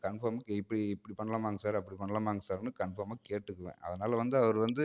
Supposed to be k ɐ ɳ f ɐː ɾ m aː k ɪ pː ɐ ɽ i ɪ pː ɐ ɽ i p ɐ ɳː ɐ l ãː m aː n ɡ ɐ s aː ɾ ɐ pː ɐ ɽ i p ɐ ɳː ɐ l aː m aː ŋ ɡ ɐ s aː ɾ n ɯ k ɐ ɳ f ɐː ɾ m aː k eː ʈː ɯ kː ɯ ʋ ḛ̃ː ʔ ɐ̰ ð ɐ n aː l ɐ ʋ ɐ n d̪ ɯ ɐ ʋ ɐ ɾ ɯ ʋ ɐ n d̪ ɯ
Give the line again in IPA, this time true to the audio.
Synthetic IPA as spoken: k ɐ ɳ f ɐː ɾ m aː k ɪ pː ɐ ɽ i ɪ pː ɐ ɽ i p ɐ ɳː ɐ l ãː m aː ŋ ɡ ɐ s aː ɾ ɐ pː ɐ ɽ i p ɐ ɳː ɐ l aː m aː ŋ ɡ ɐ s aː ɾ n ɯ k ɐ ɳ f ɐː ɾ m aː k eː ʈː ɯ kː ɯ ʋ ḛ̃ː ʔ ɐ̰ ð ɐ n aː l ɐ ʋ ɐ n d̪ ɯ ɐ ʋ ɐ ɾ ɯ ʋ ɐ n d̪ ɯ